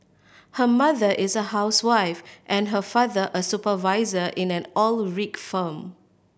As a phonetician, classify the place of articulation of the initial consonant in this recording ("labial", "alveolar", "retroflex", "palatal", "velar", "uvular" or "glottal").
glottal